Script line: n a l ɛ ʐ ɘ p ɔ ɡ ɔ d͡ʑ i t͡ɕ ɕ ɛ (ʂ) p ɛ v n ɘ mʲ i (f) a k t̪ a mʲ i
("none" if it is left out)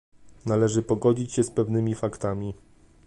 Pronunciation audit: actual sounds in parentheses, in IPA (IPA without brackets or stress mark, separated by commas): s, f